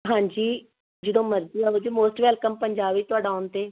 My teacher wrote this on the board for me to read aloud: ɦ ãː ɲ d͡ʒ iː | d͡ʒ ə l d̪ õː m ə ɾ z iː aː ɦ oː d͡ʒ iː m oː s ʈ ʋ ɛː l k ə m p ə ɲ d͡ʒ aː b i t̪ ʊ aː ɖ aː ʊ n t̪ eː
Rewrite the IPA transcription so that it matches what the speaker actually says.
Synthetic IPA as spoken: ɦ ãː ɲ d͡ʒ iː | d͡ʒ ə d̪ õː m ə ɾ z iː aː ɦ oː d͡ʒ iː m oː s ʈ ʋ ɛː l k ə m p ə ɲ d͡ʒ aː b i t̪ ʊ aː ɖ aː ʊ n t̪ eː